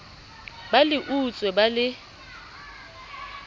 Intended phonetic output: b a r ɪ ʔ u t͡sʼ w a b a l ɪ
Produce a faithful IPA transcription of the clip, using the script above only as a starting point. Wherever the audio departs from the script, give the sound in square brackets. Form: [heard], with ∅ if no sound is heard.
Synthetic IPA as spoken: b a [l] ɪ ʔ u t͡sʼ w [ɛ] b a l ɪ